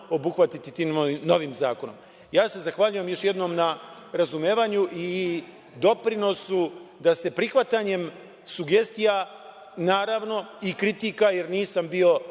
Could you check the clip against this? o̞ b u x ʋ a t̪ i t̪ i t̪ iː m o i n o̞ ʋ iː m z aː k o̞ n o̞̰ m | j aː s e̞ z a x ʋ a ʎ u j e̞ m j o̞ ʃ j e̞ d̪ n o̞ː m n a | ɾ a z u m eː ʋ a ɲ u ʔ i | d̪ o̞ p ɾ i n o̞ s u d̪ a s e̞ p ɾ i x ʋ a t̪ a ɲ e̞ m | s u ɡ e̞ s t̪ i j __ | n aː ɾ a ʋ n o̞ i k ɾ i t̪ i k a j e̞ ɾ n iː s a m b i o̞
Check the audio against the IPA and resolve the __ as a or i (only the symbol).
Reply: a